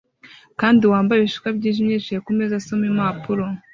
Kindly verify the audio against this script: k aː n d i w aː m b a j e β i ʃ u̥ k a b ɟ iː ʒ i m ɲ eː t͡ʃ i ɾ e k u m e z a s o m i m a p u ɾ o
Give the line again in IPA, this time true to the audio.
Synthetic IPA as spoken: k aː n d i w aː m b a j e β i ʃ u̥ k a b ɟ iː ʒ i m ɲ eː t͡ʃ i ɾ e k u m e z a s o m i m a p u ɾ o